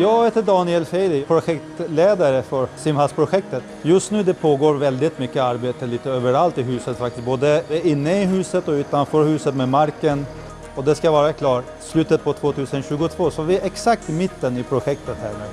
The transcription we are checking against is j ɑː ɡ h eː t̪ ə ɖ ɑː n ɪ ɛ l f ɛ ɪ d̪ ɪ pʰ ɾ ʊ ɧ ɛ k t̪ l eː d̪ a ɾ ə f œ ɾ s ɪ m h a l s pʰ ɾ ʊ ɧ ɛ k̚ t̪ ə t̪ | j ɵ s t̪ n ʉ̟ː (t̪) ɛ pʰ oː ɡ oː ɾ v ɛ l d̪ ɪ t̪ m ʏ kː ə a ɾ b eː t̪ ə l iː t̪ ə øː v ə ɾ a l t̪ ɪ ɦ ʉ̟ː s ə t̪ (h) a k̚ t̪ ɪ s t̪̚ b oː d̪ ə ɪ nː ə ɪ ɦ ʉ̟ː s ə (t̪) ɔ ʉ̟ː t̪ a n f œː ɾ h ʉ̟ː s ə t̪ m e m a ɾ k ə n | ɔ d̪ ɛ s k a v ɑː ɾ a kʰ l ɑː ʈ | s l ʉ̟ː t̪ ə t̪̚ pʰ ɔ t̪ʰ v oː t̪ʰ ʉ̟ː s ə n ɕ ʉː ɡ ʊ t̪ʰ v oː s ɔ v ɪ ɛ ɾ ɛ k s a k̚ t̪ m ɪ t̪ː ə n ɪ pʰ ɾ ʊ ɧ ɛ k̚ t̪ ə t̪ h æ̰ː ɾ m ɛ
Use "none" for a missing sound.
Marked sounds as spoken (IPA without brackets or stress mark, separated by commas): d̪, f, t̪